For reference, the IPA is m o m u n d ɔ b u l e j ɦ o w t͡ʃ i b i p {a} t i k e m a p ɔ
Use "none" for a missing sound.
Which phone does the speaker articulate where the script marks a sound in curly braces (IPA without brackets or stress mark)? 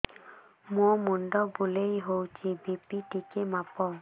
i